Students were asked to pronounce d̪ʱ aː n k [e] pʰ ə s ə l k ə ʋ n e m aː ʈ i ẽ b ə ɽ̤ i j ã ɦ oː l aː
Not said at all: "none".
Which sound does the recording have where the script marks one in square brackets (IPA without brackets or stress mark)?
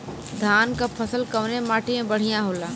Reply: a